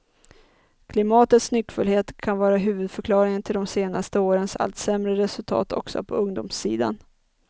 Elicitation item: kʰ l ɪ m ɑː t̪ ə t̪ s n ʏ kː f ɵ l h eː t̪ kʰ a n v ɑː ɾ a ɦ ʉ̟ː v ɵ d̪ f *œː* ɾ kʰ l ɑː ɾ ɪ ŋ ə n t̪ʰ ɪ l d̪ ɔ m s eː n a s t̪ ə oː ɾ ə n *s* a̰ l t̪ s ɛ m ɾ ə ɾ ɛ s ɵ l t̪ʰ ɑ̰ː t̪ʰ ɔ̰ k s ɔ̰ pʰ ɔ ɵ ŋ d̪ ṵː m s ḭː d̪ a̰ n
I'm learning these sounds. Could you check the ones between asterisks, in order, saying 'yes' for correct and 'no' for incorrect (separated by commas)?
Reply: no, yes